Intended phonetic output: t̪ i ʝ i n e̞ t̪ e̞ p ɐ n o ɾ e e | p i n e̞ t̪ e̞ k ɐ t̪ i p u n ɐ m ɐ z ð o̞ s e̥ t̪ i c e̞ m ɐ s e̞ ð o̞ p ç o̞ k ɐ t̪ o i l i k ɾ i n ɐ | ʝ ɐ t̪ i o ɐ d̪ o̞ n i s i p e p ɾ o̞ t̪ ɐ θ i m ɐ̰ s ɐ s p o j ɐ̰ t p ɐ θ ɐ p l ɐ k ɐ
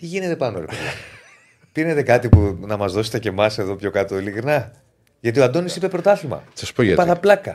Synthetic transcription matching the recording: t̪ i ʝ i n e̞ t̪ e̞ p ɐ n o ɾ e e | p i n e̞ t̪ e̞ k ɐ t̪ i p u n ɐ m ɐ z ð o̞ s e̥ t̪ e c e̞ m ɐ s e̞ ð o̞ p ç o̞ k ɐ t̪ o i l i k ɾ i n ɐ | ʝ ɐ t̪ i o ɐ d̪ o̞ n i s i p e p ɾ o̞ t̪ ɐ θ i m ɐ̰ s ɐ s p o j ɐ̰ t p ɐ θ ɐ p l ɐ k ɐ